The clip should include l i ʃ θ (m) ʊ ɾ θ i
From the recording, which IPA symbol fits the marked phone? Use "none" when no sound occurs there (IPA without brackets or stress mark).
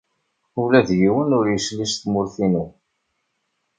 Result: m